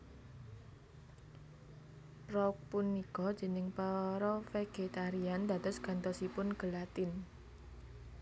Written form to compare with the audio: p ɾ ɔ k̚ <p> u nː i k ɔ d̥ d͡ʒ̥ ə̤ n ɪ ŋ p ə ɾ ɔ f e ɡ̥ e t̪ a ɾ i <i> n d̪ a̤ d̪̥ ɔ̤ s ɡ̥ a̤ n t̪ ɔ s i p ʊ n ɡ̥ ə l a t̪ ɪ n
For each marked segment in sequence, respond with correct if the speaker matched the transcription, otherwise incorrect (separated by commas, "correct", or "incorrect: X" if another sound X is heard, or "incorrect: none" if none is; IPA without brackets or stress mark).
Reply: correct, incorrect: a